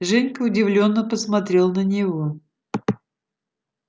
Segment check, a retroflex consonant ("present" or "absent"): present